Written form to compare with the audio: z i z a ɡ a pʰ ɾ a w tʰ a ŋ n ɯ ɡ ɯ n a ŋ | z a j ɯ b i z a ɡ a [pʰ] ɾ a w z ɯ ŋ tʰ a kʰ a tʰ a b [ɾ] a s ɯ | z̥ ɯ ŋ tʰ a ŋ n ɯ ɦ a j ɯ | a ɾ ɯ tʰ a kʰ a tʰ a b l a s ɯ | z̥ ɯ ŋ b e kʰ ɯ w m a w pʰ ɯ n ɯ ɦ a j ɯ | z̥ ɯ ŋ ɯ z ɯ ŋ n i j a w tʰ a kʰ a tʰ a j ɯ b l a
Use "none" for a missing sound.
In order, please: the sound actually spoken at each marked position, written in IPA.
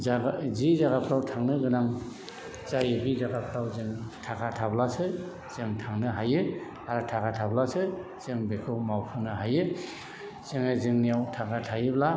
pʰ, l

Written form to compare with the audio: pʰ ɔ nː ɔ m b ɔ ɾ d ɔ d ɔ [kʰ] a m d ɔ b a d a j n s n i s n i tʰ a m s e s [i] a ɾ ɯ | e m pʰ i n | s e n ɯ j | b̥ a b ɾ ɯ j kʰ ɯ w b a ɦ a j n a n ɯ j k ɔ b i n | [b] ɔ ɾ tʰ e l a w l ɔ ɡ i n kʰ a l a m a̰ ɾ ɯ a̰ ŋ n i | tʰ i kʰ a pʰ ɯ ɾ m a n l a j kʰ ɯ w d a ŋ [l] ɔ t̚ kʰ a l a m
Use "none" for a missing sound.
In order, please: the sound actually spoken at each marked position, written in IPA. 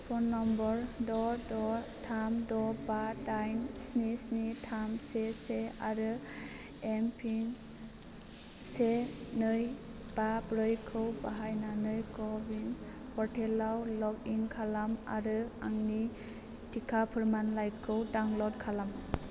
tʰ, e, p, l

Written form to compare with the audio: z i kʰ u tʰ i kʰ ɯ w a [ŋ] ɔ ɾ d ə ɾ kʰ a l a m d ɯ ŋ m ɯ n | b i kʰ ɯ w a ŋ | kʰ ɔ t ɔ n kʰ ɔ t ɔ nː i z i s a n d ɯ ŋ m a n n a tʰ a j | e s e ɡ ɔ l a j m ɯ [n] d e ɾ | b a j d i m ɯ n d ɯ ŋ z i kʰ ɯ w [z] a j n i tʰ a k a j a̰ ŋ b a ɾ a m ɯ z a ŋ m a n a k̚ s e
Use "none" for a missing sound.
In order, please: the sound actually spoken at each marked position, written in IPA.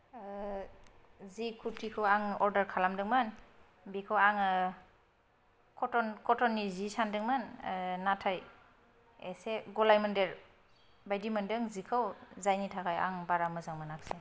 ŋ, n, z

